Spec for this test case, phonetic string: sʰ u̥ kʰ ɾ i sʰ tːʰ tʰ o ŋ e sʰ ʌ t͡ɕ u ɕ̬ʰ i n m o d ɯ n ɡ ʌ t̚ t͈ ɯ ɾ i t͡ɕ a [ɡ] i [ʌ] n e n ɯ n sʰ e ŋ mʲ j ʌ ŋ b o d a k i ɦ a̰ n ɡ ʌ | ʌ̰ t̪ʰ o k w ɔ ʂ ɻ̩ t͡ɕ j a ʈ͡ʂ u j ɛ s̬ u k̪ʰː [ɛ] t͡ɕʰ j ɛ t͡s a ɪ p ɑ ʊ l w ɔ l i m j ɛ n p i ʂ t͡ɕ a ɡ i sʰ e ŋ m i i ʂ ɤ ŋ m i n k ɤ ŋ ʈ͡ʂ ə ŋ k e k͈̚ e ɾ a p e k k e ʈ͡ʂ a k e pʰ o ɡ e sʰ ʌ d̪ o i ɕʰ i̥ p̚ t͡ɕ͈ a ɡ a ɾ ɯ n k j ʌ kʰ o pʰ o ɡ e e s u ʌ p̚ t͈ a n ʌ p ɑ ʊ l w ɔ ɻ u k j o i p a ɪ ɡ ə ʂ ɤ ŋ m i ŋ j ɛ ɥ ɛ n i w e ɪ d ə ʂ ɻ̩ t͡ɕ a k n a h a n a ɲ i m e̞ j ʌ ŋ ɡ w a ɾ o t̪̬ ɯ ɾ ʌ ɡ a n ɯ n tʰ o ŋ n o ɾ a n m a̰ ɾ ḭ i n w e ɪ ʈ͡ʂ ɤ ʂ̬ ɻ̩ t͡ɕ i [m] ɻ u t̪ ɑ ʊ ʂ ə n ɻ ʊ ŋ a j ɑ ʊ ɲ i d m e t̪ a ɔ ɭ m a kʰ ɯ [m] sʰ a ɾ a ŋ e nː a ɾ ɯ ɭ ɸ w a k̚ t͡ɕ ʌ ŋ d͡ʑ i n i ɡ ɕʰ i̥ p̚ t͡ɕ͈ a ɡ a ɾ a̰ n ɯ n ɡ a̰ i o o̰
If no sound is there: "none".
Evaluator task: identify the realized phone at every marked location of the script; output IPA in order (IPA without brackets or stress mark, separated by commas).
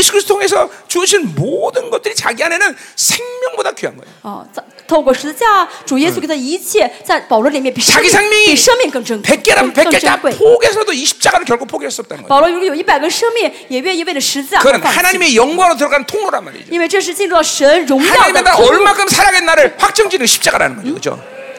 ɡ, a, i, n, m